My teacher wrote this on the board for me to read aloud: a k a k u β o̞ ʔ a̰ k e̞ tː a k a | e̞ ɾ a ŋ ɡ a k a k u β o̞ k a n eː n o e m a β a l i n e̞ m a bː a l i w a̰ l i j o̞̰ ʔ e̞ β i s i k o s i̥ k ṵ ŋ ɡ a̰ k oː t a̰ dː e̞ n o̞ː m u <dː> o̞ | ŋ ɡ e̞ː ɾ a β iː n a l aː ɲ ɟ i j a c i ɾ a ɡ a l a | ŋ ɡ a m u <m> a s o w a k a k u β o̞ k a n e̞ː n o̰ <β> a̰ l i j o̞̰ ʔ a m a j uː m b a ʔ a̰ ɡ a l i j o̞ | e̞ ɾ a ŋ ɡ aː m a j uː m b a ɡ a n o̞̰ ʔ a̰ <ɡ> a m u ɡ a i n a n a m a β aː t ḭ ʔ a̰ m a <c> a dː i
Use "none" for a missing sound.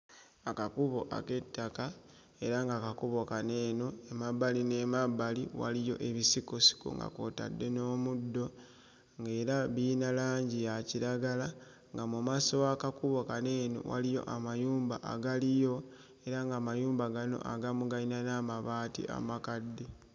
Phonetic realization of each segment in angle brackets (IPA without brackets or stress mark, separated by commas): dː, m, w, ɡ, k